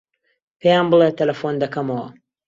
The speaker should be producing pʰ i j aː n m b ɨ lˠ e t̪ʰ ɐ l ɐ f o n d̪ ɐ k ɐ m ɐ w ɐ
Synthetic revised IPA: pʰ e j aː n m b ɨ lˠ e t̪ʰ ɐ l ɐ f o n d̪ ɐ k ɐ m ɐ w ɐ